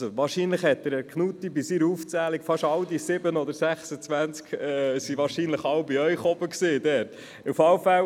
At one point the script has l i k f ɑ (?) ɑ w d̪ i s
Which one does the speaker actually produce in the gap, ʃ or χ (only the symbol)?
ʃ